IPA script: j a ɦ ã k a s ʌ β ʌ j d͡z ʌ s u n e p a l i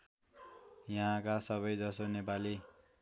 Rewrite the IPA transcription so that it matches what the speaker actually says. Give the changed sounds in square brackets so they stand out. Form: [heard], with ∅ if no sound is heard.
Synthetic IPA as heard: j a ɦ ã k a s ʌ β ʌ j d͡z ʌ s [o] n e p a l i